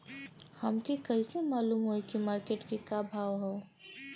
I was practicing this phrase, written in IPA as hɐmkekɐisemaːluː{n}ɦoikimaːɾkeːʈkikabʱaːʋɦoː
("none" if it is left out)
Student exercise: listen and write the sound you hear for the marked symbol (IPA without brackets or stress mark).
m